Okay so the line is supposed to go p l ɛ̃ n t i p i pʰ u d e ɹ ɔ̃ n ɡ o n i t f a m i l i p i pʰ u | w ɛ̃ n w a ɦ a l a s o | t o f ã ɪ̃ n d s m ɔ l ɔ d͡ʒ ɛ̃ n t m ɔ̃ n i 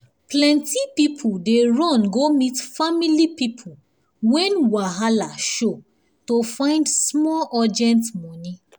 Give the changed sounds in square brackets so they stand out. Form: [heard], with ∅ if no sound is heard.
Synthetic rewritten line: p l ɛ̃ n t i p i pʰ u d e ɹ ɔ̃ n ɡ o [m] i t f a m i l i p i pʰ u | w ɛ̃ n w a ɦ a l a [ʃ] o | t o f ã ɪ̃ n d s m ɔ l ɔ d͡ʒ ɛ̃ n t m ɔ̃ n i